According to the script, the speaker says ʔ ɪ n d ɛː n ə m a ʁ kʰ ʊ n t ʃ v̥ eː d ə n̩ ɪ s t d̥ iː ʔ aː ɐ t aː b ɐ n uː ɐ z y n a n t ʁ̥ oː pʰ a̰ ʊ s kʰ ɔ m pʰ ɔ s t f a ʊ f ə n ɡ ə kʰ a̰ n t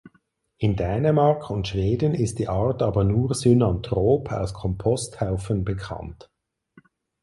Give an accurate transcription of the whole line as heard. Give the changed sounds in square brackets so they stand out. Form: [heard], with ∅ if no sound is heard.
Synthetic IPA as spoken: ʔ ɪ n d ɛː n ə m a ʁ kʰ ʊ n t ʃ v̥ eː d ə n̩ ɪ s t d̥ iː ʔ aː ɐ t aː b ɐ n uː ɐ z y n a n t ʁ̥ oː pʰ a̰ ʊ s kʰ ɔ m pʰ ɔ s t [h] a ʊ f ə n [b] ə kʰ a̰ n t